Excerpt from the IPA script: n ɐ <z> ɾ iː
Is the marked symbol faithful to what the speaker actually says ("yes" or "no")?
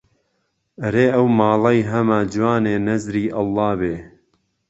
yes